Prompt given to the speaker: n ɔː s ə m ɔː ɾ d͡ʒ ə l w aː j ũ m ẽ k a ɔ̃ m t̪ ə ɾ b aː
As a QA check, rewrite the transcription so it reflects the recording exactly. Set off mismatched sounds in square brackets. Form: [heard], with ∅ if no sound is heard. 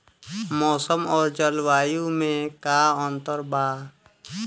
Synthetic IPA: [m] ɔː s ə m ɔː ɾ d͡ʒ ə l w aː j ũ m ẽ k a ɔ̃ [n] t̪ ə ɾ b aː